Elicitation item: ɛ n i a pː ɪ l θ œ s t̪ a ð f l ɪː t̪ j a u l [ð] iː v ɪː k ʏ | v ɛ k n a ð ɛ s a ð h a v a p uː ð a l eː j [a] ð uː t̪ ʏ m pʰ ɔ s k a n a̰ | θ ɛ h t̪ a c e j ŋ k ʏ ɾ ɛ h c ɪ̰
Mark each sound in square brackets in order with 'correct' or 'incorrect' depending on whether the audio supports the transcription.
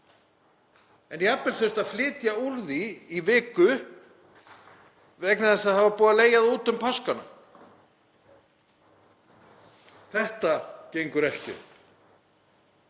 correct, correct

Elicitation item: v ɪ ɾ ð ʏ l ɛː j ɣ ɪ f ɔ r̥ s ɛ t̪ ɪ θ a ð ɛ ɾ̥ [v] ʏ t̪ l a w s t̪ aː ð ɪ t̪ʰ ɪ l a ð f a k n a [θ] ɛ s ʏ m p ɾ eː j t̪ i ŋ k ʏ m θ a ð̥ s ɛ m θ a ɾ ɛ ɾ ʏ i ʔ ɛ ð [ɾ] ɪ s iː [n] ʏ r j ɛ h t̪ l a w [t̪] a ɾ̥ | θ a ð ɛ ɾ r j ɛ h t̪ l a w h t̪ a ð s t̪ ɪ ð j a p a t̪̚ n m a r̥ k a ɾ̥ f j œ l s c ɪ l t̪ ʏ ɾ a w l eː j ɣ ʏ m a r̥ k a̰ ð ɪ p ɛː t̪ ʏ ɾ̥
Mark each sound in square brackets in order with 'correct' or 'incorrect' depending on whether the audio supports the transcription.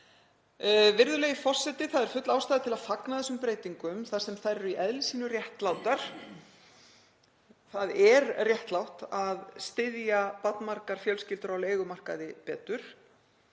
incorrect: f, incorrect: ð, incorrect: l, correct, correct

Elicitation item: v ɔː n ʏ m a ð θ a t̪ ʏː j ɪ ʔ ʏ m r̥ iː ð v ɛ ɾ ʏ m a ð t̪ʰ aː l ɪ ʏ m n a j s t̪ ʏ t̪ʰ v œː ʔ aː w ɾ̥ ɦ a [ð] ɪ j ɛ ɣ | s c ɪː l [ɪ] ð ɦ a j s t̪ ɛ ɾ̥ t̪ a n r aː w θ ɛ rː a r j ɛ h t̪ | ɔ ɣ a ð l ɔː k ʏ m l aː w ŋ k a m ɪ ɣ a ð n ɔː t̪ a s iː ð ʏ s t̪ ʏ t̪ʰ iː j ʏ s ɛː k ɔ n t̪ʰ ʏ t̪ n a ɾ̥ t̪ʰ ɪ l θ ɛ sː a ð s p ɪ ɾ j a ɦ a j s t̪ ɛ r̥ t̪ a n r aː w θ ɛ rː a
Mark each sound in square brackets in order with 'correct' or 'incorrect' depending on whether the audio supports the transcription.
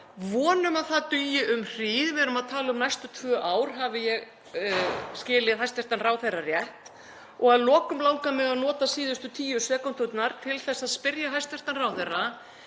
incorrect: v, correct

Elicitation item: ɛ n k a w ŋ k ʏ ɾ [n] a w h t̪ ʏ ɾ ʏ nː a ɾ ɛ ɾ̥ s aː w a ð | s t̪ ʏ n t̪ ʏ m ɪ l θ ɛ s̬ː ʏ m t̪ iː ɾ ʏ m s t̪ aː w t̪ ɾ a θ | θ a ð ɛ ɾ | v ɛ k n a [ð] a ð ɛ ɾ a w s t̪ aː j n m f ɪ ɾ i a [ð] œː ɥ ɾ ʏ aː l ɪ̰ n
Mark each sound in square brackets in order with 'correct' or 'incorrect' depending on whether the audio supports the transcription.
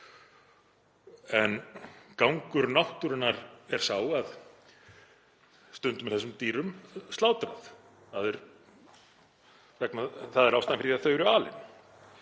correct, incorrect: θ, incorrect: θ

